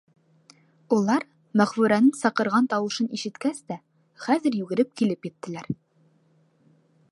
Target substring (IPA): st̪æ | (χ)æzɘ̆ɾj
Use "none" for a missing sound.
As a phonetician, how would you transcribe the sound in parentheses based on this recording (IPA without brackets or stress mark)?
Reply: χ